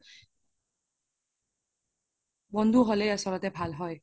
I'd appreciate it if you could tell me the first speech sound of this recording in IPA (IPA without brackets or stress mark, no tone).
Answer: b